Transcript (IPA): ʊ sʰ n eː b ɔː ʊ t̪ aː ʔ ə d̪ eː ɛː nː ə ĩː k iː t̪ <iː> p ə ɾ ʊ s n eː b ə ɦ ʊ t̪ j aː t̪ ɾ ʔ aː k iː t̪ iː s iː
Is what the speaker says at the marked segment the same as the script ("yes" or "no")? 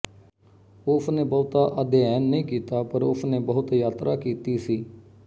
no